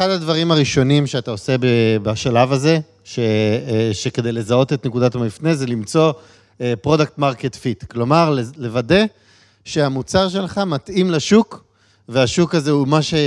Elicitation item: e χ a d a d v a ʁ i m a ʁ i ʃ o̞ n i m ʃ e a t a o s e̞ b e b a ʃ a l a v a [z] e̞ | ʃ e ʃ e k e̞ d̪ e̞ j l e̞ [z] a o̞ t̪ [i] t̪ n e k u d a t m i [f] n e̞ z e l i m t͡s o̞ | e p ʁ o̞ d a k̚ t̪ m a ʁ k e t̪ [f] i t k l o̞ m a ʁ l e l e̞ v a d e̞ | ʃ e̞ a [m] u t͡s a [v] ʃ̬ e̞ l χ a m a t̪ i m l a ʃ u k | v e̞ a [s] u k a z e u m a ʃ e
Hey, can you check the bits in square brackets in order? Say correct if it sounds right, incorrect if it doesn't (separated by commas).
correct, correct, incorrect, correct, correct, correct, incorrect, incorrect